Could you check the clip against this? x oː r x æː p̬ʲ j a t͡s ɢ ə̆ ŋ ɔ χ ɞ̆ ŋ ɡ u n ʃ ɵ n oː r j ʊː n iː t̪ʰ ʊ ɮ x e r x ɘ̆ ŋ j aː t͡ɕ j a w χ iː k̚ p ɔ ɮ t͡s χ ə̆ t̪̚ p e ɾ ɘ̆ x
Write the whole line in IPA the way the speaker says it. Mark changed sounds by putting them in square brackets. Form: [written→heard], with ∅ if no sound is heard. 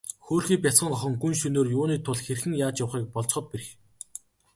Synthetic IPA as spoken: x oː r x [æː→iː] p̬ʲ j a t͡s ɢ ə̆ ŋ ɔ χ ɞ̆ ŋ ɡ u n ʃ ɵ n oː r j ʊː n iː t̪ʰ ʊ ɮ x e r x ɘ̆ ŋ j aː t͡ɕ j a w χ iː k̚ p ɔ ɮ t͡s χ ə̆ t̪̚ p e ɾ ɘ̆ x